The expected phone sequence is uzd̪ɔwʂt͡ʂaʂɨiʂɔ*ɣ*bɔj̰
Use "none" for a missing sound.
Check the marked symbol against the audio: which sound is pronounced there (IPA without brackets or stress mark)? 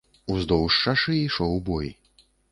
w